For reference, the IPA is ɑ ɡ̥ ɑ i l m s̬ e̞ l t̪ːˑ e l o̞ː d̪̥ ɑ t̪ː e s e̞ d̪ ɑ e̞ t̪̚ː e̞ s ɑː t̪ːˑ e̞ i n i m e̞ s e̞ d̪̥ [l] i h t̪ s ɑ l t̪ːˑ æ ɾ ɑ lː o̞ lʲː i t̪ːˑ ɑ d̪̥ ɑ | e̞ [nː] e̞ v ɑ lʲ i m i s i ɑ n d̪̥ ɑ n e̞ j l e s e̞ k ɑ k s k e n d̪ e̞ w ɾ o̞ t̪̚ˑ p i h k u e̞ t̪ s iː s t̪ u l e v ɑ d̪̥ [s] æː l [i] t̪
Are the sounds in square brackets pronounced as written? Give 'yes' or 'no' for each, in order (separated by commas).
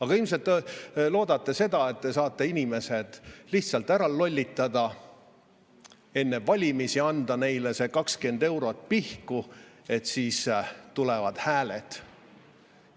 yes, yes, no, no